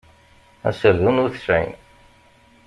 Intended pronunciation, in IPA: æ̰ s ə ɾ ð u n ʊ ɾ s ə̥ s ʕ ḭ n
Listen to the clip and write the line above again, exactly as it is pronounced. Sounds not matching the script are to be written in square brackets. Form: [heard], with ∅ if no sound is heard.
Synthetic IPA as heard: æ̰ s ə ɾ ð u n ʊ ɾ [θ] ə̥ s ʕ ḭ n